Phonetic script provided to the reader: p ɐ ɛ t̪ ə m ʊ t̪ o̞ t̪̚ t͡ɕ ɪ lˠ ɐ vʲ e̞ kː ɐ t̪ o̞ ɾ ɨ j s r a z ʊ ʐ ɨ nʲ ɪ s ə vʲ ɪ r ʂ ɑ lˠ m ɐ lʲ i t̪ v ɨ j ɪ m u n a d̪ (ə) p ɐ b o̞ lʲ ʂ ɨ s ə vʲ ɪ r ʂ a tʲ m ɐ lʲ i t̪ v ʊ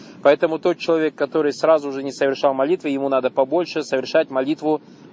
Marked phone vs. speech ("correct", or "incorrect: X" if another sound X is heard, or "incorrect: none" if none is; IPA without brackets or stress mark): correct